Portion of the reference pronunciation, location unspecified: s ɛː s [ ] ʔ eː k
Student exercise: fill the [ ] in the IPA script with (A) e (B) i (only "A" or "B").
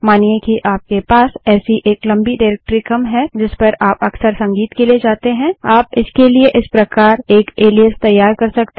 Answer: B